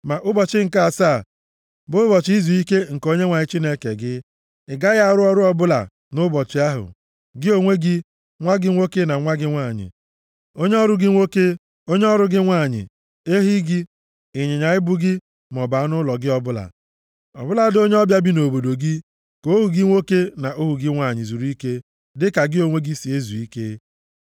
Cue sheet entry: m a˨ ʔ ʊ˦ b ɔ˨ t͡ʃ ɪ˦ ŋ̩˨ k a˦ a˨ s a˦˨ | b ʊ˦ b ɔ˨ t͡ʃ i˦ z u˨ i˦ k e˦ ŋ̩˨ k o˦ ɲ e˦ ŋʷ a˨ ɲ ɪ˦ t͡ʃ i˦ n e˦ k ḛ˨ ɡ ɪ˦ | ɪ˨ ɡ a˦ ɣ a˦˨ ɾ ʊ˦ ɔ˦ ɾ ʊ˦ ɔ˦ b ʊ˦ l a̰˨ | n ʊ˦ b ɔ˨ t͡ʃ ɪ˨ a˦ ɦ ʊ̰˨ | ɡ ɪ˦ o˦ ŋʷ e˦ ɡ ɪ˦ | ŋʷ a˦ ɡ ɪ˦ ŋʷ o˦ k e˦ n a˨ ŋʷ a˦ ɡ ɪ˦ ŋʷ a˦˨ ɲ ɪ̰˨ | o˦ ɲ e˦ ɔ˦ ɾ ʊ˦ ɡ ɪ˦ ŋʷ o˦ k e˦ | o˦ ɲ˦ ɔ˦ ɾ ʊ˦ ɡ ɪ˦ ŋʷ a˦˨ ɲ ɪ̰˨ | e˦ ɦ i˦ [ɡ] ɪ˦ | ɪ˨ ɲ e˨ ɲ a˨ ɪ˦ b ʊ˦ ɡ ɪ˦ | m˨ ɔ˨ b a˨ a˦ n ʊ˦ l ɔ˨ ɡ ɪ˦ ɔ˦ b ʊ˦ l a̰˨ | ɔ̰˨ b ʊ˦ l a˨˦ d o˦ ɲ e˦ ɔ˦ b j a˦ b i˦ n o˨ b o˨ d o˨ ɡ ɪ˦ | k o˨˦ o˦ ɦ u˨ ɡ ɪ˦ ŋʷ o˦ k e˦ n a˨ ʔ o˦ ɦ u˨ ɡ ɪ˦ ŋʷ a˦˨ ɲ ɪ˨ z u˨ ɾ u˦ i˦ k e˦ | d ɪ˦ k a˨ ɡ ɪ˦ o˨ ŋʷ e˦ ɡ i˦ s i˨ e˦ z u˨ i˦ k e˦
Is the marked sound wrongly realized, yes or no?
no